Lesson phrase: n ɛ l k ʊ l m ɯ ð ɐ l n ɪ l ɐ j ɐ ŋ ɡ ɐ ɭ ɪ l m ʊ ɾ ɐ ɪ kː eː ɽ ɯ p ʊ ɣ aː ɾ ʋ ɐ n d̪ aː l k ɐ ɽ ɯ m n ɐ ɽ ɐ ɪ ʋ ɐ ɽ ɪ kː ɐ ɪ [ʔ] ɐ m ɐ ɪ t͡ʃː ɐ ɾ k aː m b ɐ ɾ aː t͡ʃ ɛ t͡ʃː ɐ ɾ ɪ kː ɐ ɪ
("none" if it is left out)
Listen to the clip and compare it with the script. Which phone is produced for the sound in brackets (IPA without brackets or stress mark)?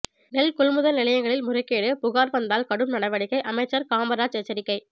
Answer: ʔ